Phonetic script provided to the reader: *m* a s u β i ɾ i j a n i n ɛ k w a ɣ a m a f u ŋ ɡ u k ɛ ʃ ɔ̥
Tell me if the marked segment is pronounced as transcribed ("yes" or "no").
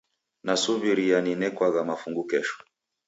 no